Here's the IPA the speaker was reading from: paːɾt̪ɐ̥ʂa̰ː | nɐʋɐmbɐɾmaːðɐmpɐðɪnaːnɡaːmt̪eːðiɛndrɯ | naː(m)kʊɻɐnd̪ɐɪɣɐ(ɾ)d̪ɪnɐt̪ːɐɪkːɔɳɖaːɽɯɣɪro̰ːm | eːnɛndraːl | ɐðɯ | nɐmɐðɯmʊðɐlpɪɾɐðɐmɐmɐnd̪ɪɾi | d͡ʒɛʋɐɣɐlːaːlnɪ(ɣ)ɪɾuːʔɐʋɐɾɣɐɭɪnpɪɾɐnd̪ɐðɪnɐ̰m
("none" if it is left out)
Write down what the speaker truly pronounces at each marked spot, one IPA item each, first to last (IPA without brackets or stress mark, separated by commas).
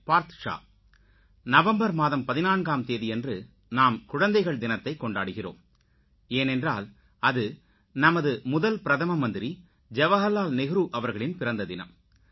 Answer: m, ɭ, ɣ